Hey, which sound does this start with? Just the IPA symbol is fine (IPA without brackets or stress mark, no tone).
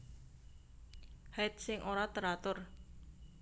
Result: h